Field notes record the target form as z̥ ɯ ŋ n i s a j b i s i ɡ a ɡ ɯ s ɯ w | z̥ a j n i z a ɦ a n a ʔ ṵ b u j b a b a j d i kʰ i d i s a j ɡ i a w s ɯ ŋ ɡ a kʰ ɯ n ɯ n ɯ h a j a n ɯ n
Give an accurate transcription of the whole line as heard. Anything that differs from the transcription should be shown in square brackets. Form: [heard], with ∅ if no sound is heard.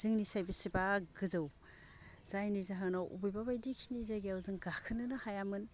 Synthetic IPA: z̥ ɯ ŋ n i s a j b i s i [b] a ɡ ɯ [z] ɯ w | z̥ a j n i z a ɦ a n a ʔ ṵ b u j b a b a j d i kʰ i [n] i [z] a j ɡ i a w [z] ɯ ŋ ɡ a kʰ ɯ n ɯ n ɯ h a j a [m] ɯ n